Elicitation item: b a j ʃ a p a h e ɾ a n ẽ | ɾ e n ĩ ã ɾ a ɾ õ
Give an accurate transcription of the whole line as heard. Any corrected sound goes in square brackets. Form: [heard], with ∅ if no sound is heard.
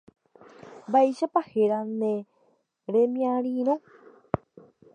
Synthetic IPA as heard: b a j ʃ a p a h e ɾ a n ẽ | ɾ e [m] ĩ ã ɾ [i] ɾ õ